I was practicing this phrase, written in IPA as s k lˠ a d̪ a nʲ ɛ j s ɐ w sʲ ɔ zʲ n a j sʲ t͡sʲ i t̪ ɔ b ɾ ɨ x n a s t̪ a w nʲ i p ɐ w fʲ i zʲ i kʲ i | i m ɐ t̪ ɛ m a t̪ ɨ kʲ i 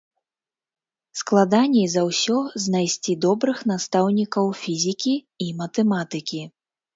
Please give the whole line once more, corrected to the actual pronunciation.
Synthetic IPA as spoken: s k lˠ a d̪ a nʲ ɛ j z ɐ w sʲ ɔ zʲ n a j sʲ t͡sʲ i d̪ ɔ b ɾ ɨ x n a s t̪ a w nʲ i k ɐ w fʲ i zʲ i kʲ i | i m ɐ t̪ ɛ m a t̪ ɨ kʲ i